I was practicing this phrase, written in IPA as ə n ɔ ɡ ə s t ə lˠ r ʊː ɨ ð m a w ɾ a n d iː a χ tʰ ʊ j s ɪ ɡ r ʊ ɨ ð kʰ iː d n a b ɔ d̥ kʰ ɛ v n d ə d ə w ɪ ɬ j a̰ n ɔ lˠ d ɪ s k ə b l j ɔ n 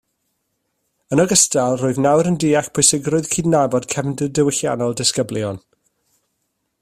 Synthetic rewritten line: ə n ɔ ɡ ə s t a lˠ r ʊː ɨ ð n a w ɾ ə n d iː a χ pʰ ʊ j s ɪ ɡ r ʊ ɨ ð kʰ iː d n a b ɔ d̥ kʰ ɛ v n d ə d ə w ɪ ɬ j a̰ n ɔ lˠ d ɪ s k ə b l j ɔ n